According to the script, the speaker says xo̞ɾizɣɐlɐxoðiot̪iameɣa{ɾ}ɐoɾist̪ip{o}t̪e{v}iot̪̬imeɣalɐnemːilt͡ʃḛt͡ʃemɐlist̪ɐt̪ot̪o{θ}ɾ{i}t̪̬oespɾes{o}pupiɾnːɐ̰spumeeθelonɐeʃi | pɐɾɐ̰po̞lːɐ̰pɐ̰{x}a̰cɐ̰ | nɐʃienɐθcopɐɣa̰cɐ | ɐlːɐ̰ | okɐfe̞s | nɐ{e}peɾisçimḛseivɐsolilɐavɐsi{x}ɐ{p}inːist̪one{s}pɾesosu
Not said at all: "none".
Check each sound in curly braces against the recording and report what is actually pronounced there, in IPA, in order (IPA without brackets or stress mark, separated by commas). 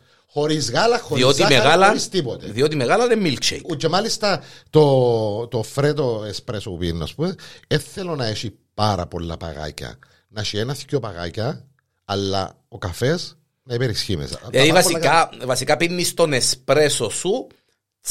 l, o, ð, f, e, o, ɣ, i, k, p, s